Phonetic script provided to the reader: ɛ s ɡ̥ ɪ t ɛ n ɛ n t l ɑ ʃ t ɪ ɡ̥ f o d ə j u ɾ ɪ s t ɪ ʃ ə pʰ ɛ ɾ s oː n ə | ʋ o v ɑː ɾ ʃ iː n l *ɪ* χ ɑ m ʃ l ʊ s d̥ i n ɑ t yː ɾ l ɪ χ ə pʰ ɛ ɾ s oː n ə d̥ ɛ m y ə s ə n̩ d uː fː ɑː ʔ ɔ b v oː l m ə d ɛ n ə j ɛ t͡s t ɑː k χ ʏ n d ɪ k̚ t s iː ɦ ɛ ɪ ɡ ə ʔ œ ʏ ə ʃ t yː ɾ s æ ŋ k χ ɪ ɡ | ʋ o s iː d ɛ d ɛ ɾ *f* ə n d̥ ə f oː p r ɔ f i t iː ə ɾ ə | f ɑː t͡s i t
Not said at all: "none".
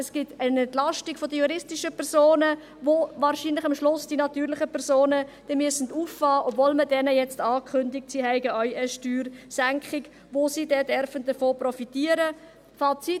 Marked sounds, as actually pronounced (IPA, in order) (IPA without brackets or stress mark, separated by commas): ɪ, f